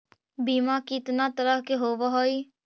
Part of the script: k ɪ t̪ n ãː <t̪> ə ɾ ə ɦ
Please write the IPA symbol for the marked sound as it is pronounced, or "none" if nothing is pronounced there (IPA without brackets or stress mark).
t̪